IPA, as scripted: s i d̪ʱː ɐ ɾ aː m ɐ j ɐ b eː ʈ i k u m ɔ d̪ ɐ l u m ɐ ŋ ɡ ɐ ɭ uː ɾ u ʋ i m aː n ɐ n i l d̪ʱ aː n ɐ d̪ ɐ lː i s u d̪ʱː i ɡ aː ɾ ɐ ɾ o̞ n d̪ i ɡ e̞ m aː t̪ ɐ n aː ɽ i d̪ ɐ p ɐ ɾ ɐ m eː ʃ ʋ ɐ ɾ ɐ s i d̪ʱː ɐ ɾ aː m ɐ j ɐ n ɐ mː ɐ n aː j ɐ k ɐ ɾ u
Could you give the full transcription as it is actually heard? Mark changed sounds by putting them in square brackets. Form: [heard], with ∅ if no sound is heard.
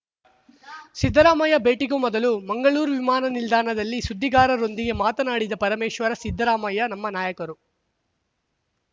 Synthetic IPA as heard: s i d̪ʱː ɐ ɾ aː m ɐ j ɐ b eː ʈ i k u m ɔ d̪ ɐ l u m ɐ ŋ ɡ ɐ ɭ uː ɾ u ʋ i m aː n ɐ n i l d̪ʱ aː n ɐ d̪ ɐ lː i s u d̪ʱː i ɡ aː ɾ ɐ ɾ o̞ n d̪ i ɡ e̞ m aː t̪ ɐ n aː ɽ i d̪ ɐ p ɐ ɾ ɐ m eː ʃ ʋ ɐ ɾ ɐ s i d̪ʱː ɐ ɾ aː m ɐ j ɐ n ɐ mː ɐ n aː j ɐ k ɐ ɾ u